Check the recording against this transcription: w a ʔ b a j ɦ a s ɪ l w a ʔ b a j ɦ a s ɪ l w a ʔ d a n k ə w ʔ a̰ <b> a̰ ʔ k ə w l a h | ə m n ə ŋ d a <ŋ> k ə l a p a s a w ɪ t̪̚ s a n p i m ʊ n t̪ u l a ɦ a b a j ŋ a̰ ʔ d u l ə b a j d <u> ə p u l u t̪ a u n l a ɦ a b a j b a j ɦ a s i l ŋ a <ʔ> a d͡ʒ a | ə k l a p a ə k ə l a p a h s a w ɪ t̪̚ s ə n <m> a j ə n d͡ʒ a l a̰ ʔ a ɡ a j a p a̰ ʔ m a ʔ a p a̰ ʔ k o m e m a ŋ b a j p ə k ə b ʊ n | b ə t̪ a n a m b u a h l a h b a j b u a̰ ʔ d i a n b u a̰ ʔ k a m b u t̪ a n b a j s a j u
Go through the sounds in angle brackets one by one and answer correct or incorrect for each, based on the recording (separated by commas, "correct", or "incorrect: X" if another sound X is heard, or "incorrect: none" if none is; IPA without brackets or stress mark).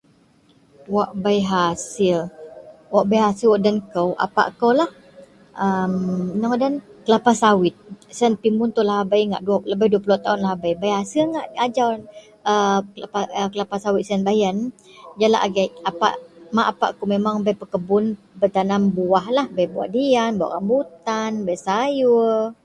incorrect: p, incorrect: n, correct, correct, incorrect: b